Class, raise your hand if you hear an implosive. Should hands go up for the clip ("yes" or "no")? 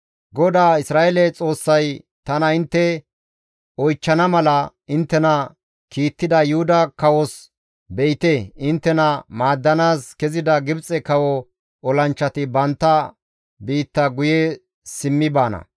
no